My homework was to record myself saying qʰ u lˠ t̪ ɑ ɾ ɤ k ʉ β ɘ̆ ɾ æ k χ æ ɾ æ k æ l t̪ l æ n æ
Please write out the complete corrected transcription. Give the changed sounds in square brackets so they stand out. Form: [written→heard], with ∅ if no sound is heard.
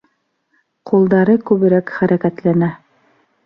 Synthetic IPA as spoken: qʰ u lˠ [t̪→d̪] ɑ ɾ ɤ k ʉ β ɘ̆ ɾ æ k χ æ ɾ æ k æ [l→∅] t̪ l æ n æ